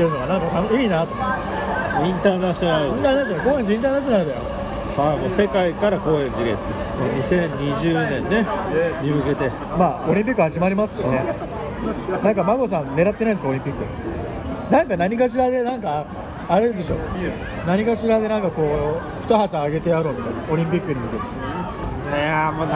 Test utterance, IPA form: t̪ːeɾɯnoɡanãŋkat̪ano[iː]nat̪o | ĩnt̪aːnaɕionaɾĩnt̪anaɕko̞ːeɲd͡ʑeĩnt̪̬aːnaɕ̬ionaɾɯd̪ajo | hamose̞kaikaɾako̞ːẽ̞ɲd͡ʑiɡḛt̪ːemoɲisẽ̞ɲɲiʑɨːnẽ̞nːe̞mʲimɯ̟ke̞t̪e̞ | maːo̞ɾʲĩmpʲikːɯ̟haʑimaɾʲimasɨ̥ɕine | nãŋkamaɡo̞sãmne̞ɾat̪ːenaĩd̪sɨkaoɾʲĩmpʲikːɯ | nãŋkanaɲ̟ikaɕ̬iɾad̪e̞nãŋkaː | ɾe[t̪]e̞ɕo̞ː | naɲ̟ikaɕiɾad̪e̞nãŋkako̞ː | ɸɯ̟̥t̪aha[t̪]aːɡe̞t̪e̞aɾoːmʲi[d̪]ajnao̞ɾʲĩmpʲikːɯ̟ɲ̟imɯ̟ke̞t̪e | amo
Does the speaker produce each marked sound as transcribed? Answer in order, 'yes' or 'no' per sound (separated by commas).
yes, no, yes, no